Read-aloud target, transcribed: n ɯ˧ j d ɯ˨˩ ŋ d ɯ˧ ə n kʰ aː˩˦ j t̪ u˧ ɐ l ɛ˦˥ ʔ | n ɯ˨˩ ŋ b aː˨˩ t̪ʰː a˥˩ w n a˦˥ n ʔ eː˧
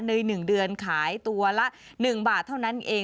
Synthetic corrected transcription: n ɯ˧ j n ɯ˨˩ ŋ d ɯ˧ ə n kʰ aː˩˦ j t̪ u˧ ɐ l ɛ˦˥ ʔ | n ɯ˨˩ ŋ b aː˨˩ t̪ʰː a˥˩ w n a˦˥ n ʔ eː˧